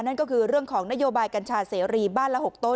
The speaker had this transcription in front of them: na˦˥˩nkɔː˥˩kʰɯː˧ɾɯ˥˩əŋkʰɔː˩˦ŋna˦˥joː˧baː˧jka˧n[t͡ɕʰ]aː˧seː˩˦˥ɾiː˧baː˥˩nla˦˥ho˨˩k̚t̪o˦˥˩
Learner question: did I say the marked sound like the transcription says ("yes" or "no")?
yes